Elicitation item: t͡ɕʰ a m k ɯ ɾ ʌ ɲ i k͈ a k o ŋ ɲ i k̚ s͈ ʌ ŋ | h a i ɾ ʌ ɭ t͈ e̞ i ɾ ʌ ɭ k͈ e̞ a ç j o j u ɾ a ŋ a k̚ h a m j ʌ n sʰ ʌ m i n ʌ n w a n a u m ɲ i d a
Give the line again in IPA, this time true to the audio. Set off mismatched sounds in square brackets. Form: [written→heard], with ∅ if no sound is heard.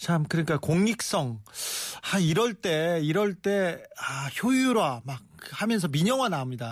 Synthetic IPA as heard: t͡ɕʰ a m k ɯ ɾ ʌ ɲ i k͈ a k o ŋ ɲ i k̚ s͈ ʌ ŋ | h a i ɾ ʌ ɭ t͈ e̞ i ɾ ʌ ɭ [k͈→t͈] e̞ a ç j o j u ɾ a [ŋ→m] a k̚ h a m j ʌ n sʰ ʌ m i [n→ɲ] ʌ [n→ŋ] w a n a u m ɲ i d a